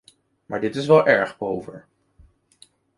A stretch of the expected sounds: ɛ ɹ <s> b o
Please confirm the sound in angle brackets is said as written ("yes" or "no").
no